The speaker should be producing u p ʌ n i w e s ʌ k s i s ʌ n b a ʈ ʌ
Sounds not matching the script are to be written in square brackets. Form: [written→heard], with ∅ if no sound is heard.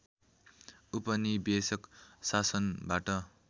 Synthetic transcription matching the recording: u p ʌ n i [w→b] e s ʌ k s [i→a] s ʌ n b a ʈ ʌ